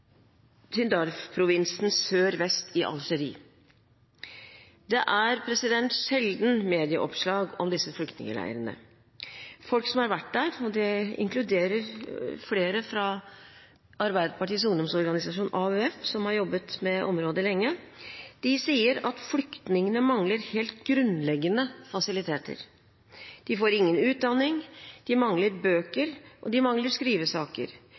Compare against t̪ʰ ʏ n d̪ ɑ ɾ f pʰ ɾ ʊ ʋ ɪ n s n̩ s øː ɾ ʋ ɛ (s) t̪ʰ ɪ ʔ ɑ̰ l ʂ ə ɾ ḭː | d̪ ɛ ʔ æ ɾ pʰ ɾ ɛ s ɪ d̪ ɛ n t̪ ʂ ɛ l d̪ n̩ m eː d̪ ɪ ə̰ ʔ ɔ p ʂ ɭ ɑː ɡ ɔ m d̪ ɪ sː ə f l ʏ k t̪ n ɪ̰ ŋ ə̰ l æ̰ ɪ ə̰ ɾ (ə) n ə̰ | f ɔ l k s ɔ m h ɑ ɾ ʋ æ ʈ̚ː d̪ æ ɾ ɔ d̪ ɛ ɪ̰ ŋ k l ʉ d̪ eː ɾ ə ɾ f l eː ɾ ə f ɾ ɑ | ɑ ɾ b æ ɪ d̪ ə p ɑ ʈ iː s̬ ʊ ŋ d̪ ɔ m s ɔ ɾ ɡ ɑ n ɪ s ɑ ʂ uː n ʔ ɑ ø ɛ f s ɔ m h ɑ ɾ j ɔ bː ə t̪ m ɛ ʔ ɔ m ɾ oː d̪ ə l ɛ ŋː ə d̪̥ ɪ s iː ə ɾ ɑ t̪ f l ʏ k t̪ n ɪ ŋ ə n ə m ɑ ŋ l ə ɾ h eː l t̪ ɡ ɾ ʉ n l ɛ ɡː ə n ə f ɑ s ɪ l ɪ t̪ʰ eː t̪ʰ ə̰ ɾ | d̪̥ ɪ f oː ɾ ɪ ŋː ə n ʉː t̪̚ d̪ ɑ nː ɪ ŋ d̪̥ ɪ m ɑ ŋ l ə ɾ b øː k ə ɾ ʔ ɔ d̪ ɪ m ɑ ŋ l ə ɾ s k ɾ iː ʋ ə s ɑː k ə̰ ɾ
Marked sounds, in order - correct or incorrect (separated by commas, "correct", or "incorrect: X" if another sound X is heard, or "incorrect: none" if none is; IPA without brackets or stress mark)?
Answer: correct, correct